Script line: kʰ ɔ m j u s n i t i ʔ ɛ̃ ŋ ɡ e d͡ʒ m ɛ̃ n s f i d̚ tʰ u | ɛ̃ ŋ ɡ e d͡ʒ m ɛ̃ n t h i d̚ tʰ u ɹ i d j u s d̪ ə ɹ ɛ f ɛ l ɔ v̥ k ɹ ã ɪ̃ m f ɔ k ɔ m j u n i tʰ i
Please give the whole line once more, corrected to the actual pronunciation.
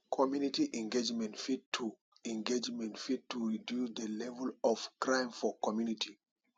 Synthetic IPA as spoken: kʰ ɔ m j u n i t i ʔ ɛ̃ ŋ ɡ e d͡ʒ m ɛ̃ n t f i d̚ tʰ u | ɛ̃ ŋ ɡ e d͡ʒ m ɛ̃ n t f i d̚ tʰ u ɹ i d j u s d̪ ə l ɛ v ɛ l ɔ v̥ k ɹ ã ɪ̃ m f ɔ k ɔ m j u n i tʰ i